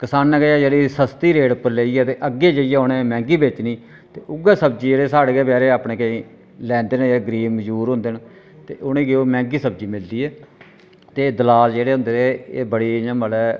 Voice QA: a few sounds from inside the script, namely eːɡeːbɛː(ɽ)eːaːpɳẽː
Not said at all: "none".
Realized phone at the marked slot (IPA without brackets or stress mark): ɾ